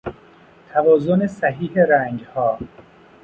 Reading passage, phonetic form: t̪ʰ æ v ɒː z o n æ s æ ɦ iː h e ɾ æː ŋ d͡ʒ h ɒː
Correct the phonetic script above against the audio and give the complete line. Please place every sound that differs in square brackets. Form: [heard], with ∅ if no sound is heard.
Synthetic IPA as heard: t̪ʰ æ v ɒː z o n [e] s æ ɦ iː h e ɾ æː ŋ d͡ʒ h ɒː